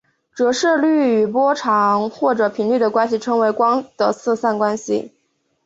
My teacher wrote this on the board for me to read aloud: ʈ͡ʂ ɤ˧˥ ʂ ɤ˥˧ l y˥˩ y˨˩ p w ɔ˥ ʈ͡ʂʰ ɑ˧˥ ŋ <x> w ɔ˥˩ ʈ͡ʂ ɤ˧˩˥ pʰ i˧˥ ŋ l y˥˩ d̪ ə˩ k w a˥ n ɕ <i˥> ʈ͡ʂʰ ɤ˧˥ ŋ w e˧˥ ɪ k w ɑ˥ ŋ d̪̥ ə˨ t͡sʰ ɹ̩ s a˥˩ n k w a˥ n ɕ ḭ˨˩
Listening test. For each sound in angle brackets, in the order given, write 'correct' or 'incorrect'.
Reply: correct, incorrect: i˨˩

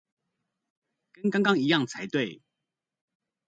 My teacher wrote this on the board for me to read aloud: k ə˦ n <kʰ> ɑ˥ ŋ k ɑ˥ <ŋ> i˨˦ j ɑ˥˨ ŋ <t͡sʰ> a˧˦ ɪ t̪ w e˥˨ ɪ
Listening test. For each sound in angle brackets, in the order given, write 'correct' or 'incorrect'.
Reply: incorrect: k, correct, correct

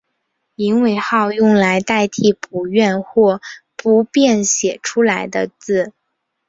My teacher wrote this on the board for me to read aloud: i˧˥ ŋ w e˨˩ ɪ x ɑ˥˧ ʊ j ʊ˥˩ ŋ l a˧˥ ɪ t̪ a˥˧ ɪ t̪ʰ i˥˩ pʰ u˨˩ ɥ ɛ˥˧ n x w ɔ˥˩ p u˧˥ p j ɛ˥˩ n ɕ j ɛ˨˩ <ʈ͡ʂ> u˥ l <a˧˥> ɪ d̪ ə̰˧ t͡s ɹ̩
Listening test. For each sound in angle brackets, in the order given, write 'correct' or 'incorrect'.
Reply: incorrect: ʈ͡ʂʰ, correct

